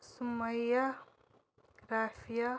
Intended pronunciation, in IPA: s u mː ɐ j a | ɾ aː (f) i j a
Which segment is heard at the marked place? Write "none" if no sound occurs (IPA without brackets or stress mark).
f